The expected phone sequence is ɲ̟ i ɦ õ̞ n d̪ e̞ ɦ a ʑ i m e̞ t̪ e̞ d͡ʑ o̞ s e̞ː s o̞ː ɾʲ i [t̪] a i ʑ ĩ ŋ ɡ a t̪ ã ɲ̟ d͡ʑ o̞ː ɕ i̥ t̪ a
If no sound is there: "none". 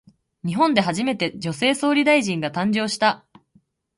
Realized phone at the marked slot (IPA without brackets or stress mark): d̪